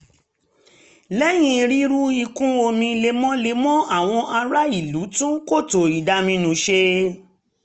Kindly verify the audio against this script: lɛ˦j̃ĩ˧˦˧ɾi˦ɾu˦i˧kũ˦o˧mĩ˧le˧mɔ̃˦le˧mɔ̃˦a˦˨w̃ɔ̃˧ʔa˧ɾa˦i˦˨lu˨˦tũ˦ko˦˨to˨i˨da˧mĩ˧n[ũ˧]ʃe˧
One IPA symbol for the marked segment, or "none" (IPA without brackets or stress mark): ũ˧